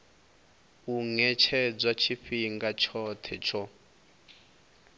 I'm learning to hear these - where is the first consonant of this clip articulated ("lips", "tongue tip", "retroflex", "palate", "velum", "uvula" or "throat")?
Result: velum